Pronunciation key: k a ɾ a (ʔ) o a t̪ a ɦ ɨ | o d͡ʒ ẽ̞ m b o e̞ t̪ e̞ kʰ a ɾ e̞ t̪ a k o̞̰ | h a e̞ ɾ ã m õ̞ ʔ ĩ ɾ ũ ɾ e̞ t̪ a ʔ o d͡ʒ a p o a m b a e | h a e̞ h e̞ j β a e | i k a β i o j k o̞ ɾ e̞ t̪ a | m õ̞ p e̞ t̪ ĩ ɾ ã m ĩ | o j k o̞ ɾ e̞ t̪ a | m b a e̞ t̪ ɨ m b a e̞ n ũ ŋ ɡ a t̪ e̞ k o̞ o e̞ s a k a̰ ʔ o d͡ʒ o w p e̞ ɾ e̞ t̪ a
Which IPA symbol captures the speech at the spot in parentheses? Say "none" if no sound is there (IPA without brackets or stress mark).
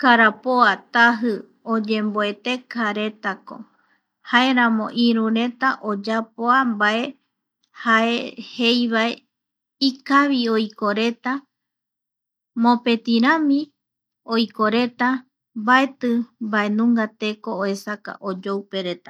p